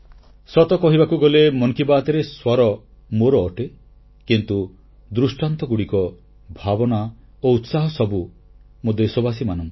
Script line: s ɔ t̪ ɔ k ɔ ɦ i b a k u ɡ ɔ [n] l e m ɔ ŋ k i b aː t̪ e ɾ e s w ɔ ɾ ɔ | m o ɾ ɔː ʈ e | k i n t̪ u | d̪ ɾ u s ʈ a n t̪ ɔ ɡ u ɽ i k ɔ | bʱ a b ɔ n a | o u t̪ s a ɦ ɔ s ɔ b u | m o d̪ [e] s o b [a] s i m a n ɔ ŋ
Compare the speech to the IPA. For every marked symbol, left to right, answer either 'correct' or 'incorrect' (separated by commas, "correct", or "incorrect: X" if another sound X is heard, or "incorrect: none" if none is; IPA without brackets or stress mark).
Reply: incorrect: none, correct, correct